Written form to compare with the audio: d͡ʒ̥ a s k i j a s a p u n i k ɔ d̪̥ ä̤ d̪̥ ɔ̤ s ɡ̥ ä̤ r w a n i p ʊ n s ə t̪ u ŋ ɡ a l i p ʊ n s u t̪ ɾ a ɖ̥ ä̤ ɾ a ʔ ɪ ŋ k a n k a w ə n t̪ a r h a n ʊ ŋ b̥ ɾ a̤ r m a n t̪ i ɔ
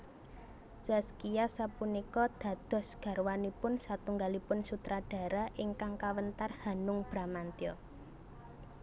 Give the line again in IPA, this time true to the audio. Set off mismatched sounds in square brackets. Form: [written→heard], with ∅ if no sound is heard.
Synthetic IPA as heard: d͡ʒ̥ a s k i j a s a p u n i k ɔ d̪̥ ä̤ d̪̥ ɔ̤ s ɡ̥ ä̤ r w a n i p ʊ n s [ə→a] t̪ u ŋ ɡ a l i p ʊ n s u t̪ ɾ a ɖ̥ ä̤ ɾ a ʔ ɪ ŋ k a [n→ŋ] k a w ə n t̪ a r h a n ʊ ŋ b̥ ɾ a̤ [r→∅] m a n t̪ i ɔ